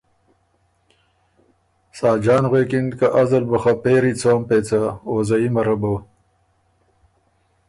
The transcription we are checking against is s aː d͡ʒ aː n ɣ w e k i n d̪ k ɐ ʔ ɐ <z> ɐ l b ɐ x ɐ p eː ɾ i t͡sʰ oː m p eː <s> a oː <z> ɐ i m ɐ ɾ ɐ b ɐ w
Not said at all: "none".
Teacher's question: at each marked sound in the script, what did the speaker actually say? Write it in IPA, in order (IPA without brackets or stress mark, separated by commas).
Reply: z, t͡s, z